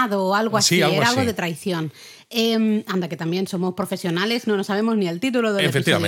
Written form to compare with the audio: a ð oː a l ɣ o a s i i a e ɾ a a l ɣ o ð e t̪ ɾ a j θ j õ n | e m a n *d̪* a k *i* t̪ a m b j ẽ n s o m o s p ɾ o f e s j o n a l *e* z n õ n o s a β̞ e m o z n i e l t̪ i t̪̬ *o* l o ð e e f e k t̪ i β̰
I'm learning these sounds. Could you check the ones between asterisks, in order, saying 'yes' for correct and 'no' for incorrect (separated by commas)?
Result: yes, no, yes, no